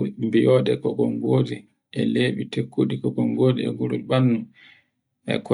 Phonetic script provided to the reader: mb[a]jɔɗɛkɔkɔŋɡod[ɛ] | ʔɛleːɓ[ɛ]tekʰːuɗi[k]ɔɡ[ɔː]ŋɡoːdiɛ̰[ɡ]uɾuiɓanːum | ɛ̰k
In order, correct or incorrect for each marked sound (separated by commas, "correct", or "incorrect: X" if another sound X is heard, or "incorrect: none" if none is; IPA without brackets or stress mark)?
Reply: incorrect: i, incorrect: i, incorrect: i, correct, incorrect: ɔ, correct